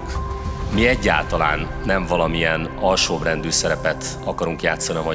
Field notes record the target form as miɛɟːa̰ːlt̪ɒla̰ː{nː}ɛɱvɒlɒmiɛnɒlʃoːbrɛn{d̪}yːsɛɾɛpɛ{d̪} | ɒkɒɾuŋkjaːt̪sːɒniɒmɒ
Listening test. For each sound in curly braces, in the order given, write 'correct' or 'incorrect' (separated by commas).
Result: correct, correct, incorrect